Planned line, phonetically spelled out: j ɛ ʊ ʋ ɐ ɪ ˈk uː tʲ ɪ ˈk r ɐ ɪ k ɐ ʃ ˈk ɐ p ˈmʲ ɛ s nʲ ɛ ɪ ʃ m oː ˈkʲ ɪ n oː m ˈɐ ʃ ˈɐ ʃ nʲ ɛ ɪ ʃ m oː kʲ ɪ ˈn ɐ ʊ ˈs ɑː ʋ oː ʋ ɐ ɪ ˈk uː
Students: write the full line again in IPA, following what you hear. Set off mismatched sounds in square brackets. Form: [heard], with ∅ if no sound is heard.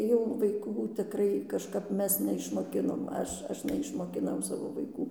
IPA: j ɛ ʊ ʋ ɐ ɪ ˈk uː tʲ ɪ ˈk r ɐ ɪ k ɐ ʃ ˈk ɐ p ˈmʲ ɛ s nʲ ɛ ɪ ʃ m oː ˈkʲ ɪ n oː m ˈɐ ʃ ˈɐ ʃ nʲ ɛ ɪ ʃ m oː kʲ ɪ ˈn ɐ ʊ ˈs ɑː ʋ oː ʋ ɐ ɪ ˈk uː

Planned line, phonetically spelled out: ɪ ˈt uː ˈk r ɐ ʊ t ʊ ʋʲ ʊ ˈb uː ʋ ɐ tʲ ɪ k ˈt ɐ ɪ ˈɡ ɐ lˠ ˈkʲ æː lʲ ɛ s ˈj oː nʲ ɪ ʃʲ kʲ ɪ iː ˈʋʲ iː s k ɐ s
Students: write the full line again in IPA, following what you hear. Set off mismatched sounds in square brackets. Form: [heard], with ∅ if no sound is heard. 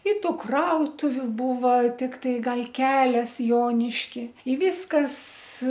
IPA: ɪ ˈt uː ˈk r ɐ ʊ t ʊ ʋʲ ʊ ˈb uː ʋ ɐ tʲ ɪ k ˈt ɐ ɪ ˈɡ ɐ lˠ ˈkʲ æː lʲ ɛ s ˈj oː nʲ ɪ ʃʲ kʲ ɪ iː ˈʋʲ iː s k ɐ s

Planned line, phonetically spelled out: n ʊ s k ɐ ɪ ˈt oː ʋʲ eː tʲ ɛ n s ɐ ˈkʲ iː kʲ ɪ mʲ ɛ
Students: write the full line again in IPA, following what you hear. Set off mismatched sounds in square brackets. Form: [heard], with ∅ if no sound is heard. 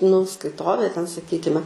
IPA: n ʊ s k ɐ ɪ ˈt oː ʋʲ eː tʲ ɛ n s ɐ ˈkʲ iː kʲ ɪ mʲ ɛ

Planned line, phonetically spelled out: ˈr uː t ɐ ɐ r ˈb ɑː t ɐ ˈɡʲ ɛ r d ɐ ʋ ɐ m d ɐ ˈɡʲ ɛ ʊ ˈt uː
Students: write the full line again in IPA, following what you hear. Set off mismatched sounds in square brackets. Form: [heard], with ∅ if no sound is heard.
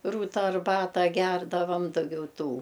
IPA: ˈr uː t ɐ ɐ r ˈb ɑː t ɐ ˈɡʲ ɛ r d ɐ ʋ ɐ m d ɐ ˈɡʲ ɛ ʊ ˈt uː

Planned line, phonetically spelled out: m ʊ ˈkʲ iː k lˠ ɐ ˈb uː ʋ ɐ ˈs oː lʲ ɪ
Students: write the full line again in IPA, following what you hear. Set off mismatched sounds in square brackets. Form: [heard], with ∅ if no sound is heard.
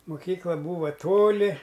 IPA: m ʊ ˈkʲ iː k lˠ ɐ ˈb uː ʋ ɐ [ˈt] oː lʲ ɪ

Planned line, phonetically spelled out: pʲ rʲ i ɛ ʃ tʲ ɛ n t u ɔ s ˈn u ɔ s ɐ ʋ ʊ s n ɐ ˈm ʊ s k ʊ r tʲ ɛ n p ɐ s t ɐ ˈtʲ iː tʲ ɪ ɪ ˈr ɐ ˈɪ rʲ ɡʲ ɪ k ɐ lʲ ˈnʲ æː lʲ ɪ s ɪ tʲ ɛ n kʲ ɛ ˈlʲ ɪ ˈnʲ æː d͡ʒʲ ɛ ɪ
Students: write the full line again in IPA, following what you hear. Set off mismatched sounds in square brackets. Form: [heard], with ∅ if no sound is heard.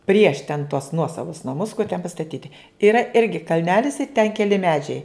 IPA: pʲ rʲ i ɛ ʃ tʲ ɛ n t u ɔ s ˈn u ɔ s ɐ ʋ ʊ s n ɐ ˈm ʊ s k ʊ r tʲ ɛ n p ɐ s t ɐ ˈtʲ iː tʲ ɪ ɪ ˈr ɐ ˈɪ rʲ ɡʲ ɪ k ɐ lʲ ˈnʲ æː lʲ ɪ s ɪ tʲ ɛ n kʲ ɛ ˈlʲ ɪ [ˈmʲ] æː d͡ʒʲ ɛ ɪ

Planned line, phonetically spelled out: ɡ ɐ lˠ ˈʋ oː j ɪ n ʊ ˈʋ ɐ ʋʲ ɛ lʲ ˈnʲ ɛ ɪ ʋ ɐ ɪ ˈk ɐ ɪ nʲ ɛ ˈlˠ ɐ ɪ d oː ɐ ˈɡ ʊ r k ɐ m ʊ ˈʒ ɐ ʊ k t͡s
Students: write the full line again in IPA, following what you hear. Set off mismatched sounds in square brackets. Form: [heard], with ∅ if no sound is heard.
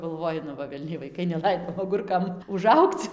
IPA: ɡ ɐ lˠ ˈʋ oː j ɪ n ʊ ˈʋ ɐ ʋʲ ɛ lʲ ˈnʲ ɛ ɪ ʋ ɐ ɪ ˈk ɐ ɪ nʲ ɛ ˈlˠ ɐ ɪ d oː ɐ ˈɡ ʊ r k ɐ m ʊ ˈʒ ɐ ʊ k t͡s

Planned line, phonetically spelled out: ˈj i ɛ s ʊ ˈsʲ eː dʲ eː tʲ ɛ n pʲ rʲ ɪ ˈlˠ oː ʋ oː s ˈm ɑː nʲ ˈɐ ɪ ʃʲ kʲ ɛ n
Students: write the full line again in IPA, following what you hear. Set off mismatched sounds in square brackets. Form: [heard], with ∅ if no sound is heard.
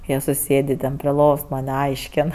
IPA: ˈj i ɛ s ʊ ˈsʲ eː dʲ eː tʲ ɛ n pʲ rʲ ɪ ˈlˠ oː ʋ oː s ˈm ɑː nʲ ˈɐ ɪ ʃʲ kʲ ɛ n

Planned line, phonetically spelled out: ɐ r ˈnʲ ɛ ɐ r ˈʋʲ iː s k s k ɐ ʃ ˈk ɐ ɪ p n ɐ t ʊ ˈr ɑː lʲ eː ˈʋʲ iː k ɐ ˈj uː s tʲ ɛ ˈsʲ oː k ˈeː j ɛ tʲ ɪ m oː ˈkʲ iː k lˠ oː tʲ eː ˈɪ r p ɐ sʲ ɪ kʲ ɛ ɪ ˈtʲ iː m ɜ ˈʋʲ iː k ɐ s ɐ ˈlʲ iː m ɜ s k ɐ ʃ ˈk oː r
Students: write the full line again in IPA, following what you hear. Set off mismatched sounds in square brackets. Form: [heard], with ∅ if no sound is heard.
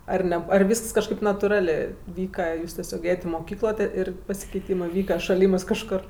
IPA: ɐ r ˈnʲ ɛ ɐ r ˈʋʲ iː s k s k ɐ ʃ ˈk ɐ ɪ p n ɐ t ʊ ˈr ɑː lʲ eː ˈʋʲ iː k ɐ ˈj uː s tʲ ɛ ˈsʲ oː k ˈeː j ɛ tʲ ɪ m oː ˈkʲ iː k lˠ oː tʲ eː ˈɪ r p ɐ sʲ ɪ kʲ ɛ ɪ ˈtʲ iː m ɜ ˈʋʲ iː k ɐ [ʃ] ɐ ˈlʲ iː m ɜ s k ɐ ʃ ˈk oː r

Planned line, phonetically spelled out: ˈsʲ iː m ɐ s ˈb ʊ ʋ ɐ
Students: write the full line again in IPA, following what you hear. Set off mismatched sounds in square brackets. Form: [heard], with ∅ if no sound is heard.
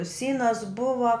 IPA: ˈsʲ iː [n] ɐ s ˈb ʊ ʋ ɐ

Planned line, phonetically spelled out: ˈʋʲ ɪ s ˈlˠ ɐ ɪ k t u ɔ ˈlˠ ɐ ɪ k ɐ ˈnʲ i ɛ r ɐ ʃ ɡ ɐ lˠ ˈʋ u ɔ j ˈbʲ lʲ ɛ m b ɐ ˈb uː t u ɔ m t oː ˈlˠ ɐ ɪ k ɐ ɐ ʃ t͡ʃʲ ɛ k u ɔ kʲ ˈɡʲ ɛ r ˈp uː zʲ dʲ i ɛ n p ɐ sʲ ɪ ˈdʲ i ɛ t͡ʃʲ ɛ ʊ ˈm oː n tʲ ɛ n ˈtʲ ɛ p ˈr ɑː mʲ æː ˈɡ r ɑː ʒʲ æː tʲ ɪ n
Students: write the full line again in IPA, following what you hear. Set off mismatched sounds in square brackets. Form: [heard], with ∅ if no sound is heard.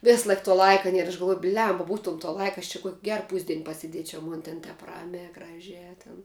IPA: ˈʋʲ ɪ s ˈlˠ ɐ ɪ k t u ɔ ˈlˠ ɐ ɪ k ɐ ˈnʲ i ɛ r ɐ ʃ ɡ ɐ lˠ ˈʋ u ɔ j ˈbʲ lʲ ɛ m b ɐ ˈb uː t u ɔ m t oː ˈlˠ ɐ ɪ k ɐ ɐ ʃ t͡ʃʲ ɛ k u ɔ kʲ ˈɡʲ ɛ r ˈp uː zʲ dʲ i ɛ n p ɐ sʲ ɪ ˈdʲ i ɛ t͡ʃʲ ɛ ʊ ˈm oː n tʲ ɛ n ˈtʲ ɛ p ˈr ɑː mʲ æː ˈɡ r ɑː ʒʲ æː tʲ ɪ n

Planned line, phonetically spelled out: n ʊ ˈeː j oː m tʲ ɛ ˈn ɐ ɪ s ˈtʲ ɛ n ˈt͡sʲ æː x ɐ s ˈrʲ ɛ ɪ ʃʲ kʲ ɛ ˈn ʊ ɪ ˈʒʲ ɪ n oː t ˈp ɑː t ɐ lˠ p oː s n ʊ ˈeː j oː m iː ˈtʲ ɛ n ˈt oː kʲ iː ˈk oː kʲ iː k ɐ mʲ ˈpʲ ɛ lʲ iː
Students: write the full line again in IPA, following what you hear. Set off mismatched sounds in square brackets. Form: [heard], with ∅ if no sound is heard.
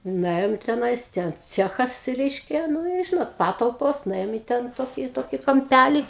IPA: n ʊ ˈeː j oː m tʲ ɛ ˈn ɐ ɪ s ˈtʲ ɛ n ˈt͡sʲ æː x ɐ s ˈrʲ ɛ ɪ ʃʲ kʲ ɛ ˈn ʊ ɪ ˈʒʲ ɪ n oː t ˈp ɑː t ɐ lˠ p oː s n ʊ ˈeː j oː m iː ˈtʲ ɛ n ˈt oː kʲ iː [ˈt] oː kʲ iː k ɐ mʲ ˈpʲ [æ] lʲ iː

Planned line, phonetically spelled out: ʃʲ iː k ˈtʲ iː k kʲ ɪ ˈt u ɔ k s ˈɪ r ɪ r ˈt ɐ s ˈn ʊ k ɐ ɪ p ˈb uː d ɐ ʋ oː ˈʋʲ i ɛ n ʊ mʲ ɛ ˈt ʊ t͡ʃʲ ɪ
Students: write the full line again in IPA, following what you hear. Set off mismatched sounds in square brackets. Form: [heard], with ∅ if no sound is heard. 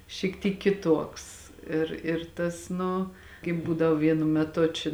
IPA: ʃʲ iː k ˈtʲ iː k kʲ ɪ ˈt u ɔ k s ˈɪ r ɪ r ˈt ɐ s ˈn ʊ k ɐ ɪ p ˈb uː d ɐ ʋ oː ˈʋʲ i ɛ n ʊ mʲ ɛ ˈt ʊ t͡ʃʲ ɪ

